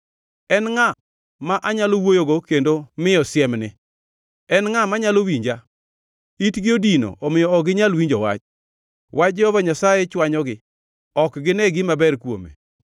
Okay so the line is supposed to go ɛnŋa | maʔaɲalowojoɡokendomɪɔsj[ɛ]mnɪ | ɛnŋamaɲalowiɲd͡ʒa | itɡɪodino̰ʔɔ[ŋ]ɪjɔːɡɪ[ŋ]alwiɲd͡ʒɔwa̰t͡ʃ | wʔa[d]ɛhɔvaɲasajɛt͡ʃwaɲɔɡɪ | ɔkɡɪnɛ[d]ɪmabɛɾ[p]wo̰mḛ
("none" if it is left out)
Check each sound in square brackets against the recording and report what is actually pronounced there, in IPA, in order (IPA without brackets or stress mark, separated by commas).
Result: ɛ, m, ɲ, d͡ʒ, ɡ, k